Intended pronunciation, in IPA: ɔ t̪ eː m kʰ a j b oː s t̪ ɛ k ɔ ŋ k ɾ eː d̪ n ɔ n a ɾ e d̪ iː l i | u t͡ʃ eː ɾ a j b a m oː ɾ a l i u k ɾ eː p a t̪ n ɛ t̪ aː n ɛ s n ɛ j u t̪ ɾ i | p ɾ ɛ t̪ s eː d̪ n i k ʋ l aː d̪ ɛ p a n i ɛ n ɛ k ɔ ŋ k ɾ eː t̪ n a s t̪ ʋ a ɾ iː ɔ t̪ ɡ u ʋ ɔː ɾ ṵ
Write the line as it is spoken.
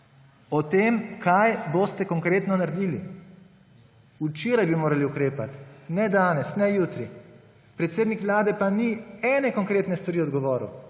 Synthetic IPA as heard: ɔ t̪ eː m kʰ a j b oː s t̪ ɛ k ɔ ŋ k ɾ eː t̪ n ɔ n a ɾ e d̪ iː l i | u t͡ʃ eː ɾ a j b i m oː ɾ a l i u k ɾ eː p a t̪ n ɛ d̪ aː n ɛ s n ɛ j u t̪ ɾ i | p ɾ ɛ t̪ s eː d̪ n i k ʋ l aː d̪ ɛ p a n i ɛ n ɛ k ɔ ŋ k ɾ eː t̪ n ɛ s t̪ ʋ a ɾ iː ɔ d̪ ɡ ɔ ʋ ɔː ɾ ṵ

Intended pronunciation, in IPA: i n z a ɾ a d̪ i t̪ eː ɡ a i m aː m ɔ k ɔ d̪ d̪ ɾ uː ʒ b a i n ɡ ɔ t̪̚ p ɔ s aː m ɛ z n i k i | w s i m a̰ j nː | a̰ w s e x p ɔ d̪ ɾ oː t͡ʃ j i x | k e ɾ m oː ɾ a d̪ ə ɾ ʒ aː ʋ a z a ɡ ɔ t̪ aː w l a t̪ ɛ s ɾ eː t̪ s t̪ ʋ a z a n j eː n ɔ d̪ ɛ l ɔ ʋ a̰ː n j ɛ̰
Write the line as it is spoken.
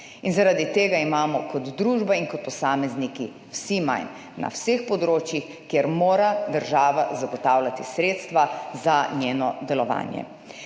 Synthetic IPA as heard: i n z a ɾ a d̪ i t̪ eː ɡ a i m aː m ɔ k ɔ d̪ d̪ ɾ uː ʒ b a i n k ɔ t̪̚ p ɔ s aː m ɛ z n i k i | w s i m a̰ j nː | a̰ w s e x p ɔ d̪ ɾ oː t͡ʃ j i x | k e ɾ m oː ɾ a d̪ ə ɾ ʒ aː ʋ a z a ɡ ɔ t̪ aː w l a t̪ i s ɾ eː t̪ s t̪ ʋ a z a n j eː n ɔ d̪ ɛ l ɔ ʋ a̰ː n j ɛ̰

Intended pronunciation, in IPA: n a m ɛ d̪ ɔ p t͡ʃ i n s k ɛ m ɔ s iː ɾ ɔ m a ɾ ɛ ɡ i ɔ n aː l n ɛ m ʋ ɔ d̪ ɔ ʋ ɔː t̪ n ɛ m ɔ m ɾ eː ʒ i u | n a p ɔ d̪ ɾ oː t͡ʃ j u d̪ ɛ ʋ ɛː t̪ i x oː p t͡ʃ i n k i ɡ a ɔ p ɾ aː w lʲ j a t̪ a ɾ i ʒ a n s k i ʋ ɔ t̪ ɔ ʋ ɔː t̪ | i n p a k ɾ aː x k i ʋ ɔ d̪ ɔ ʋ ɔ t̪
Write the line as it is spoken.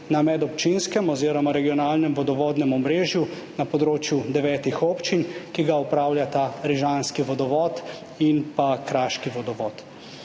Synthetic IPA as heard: n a m ɛ d̪ ɔ p t͡ʃ i n s k ɛ m ɔ z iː ɾ ɔ m a ɾ ɛ ɡ i ɔ n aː l n ɛ m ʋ ɔ d̪ ɔ ʋ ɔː d̪ n ɛ m ɔ m ɾ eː ʒ j u | n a p ɔ d̪ ɾ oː t͡ʃ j u d̪ ɛ ʋ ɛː t̪ i x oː p t͡ʃ i n k i ɡ a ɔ p ɾ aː w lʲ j a t̪ a ɾ i ʒ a n s k i ʋ ɔ d̪ ɔ ʋ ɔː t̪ | i n p a k ɾ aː ʃ k i ʋ ɔ d̪ ɔ ʋ ɔ t̪

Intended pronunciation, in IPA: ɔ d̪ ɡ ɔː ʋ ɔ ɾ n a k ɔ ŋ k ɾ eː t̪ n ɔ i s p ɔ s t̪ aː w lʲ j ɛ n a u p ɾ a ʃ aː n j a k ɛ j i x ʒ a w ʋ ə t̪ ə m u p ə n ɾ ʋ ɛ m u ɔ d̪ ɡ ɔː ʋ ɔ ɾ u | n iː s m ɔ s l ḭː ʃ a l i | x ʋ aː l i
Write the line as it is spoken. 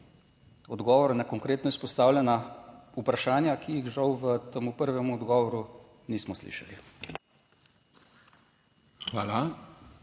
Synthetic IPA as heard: ɔ d̪ ɡ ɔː ʋ ɔ ɾ n a k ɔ ŋ k ɾ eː t̪ n ɔ i s p ɔ s t̪ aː w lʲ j ɛ n a u p ɾ a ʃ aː n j a k i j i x ʒ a w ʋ ə t̪ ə m u p ə ɾ ʋ ɛ m u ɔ d̪ ɡ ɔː ʋ ɔ ɾ u | n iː s m ɔ s l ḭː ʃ a l i | x ʋ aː l a

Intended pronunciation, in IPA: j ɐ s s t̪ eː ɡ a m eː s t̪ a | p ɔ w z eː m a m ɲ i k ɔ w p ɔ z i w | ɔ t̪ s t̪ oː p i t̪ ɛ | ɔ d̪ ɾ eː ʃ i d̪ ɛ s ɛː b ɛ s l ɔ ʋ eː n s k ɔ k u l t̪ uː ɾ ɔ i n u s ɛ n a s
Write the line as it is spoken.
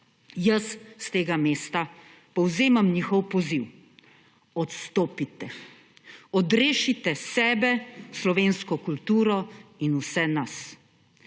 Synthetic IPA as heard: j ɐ s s t̪ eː ɡ a m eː s t̪ a | p ɔ w z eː m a m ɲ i x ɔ w p ɔ z i w | ɔ t̪ s t̪ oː p i t̪ ɛ | ɔ d̪ ɾ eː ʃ i t̪ ɛ s ɛː b ɛ s l ɔ ʋ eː n s k ɔ k u l t̪ uː ɾ ɔ i n u s ɛ n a s

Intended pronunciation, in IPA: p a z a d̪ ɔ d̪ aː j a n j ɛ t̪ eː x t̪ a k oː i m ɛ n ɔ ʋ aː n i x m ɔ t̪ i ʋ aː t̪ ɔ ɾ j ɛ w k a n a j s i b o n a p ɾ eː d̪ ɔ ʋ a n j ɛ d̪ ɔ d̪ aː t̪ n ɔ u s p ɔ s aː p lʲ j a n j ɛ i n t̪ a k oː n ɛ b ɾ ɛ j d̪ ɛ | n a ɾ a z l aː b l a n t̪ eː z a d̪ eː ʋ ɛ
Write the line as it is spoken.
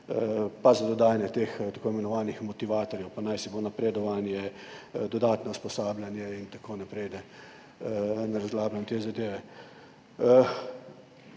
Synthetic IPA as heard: p a z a d̪ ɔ d̪ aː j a n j ɛ t̪ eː x t̪ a k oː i m ɛ n ɔ ʋ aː n i x m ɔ t̪ i ʋ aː t̪ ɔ ɾ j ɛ w p a n a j s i b o n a p ɾ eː d̪ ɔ ʋ a n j ɛ d̪ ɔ d̪ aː t̪ n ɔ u s p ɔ s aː b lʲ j a n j ɛ i n t̪ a k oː n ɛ p ɾ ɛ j d̪ ɛ | n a ɾ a z l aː b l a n t̪ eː z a d̪ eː ʋ ɛ

